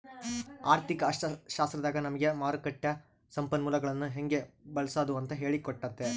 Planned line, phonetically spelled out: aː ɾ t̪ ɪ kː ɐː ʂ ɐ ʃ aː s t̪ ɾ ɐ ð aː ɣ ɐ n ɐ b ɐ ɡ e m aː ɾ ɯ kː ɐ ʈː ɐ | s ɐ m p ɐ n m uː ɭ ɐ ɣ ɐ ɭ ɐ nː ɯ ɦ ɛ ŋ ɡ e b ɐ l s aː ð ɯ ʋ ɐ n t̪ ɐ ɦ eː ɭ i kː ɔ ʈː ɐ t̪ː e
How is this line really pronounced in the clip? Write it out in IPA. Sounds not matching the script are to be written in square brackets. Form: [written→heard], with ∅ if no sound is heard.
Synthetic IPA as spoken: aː ɾ t̪ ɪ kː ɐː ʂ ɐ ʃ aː s t̪ ɾ ɐ ð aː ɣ ɐ n ɐ [b→m] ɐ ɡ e m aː ɾ ɯ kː ɐ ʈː ɐ | s ɐ m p ɐ n m uː [ɭ→l] ɐ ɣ ɐ ɭ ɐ nː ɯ ɦ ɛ ŋ ɡ e b ɐ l s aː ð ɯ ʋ ɐ n t̪ ɐ ɦ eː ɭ i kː ɔ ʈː ɐ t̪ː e